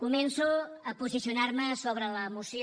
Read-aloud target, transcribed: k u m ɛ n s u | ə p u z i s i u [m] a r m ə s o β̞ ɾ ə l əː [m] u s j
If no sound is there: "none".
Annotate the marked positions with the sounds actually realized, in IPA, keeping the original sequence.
n, m

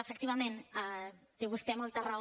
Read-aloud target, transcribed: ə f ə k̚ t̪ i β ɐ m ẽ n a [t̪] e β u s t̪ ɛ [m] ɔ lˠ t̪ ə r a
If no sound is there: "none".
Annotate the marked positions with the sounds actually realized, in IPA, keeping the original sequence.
t̪, m

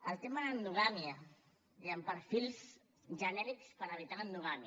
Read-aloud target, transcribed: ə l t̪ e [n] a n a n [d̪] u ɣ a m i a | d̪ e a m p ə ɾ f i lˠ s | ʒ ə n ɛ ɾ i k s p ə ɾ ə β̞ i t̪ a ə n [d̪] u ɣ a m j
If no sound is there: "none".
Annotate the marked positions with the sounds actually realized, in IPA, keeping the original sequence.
m, d̪, d̪

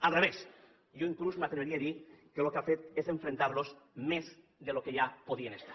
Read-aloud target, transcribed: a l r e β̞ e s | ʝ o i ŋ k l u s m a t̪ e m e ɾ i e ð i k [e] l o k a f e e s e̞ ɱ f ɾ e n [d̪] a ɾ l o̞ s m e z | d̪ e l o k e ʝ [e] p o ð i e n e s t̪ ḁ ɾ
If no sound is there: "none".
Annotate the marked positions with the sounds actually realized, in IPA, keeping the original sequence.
e, t̪, a

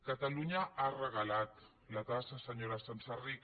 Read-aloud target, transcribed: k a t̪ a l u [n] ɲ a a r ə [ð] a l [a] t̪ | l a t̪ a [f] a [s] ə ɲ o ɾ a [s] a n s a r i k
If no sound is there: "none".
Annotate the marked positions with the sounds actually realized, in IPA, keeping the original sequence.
none, ɣ, a, s, s, s

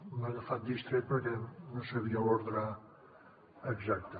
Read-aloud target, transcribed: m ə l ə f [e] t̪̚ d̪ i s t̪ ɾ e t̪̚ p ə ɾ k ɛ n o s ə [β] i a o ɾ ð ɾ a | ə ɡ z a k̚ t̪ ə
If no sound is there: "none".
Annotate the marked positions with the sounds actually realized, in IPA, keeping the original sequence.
a, β

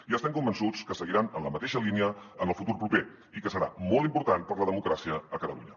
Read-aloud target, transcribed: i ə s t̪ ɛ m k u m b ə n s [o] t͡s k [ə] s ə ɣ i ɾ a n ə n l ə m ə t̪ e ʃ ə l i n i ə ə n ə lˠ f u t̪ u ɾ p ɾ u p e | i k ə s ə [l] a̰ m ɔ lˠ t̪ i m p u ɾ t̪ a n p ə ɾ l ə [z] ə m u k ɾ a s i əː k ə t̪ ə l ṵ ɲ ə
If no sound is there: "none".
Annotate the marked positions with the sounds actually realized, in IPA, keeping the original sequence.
u, ə, ɾ, ð

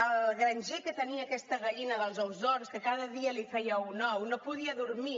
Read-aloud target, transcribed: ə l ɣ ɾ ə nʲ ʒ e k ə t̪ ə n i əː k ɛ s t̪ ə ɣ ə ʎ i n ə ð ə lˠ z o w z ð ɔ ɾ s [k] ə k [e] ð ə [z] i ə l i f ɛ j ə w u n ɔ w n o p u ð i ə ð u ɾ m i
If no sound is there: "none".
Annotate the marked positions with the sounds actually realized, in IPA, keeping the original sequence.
k, a, ð

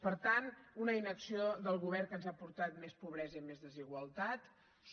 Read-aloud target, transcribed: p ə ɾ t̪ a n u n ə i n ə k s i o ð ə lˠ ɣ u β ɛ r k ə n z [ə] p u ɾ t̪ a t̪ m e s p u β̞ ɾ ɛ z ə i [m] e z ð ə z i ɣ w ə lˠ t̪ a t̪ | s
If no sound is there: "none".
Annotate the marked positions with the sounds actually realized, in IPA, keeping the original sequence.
a, m

